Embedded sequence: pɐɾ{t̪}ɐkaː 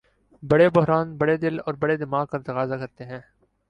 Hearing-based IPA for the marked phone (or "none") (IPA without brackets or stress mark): t̪